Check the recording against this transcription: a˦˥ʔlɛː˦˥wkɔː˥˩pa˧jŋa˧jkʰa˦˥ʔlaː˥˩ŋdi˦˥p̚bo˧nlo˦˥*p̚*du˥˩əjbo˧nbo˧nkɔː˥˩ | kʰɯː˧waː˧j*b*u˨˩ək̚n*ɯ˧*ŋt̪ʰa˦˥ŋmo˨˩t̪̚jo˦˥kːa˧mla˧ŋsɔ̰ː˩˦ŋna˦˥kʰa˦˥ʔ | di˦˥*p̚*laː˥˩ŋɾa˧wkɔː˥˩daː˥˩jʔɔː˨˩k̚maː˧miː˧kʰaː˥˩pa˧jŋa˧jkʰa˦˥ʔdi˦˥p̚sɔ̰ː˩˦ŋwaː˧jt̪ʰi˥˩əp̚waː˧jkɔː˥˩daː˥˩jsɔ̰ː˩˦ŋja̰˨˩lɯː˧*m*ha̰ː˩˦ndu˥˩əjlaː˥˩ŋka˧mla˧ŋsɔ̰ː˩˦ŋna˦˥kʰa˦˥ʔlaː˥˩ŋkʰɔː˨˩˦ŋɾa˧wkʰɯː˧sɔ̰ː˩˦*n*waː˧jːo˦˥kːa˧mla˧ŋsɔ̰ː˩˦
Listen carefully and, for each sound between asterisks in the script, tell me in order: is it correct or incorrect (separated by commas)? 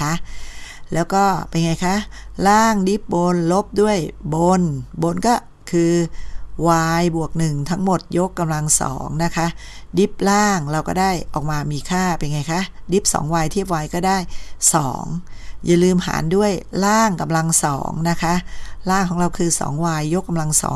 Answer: correct, correct, incorrect, correct, correct, incorrect